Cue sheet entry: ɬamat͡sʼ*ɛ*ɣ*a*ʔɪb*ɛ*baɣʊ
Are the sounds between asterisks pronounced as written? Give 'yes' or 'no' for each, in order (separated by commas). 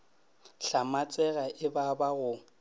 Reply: yes, yes, no